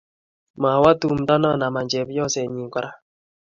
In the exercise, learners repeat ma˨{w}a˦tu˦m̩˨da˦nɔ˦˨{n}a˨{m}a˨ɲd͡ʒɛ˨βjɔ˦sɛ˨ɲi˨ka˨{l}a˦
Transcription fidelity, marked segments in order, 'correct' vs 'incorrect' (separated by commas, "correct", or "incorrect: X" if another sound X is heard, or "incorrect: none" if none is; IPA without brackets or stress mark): correct, correct, correct, incorrect: ɾ